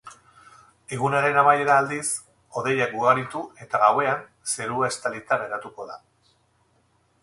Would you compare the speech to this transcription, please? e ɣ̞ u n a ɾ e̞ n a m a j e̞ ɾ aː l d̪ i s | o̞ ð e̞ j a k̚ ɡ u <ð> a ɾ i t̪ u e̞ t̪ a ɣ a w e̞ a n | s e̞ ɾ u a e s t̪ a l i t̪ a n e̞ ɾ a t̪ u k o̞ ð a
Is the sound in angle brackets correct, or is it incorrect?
incorrect